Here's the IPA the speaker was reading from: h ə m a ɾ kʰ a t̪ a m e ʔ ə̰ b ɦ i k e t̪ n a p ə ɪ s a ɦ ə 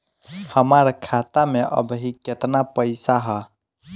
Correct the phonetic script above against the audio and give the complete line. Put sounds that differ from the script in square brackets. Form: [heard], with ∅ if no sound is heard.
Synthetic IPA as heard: h ə m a ɾ kʰ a t̪ a m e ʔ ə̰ b ɦ i k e t̪ n a p ə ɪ s a ɦ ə

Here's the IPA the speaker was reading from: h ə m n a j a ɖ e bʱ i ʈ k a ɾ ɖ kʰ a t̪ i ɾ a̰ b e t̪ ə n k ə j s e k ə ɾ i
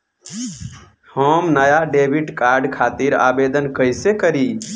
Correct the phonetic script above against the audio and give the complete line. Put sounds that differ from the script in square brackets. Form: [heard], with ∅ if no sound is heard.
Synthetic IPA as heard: h ə m n [ə] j a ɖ e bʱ i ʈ k a ɾ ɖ kʰ a t̪ i ɾ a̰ b e [d̪] ə n k ə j s e k ə ɾ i

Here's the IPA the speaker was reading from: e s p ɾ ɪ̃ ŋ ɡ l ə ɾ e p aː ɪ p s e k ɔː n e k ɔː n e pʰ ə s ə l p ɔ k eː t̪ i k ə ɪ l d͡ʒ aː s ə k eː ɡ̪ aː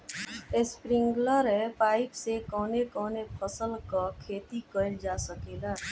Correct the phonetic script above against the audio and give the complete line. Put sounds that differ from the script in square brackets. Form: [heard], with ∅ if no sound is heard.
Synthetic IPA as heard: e s p ɾ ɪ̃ ŋ ɡ l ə ɾ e p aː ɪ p s e k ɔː n e k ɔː n e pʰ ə s ə l [k] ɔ [kʰ] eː t̪ i k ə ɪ l d͡ʒ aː s ə k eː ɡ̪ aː

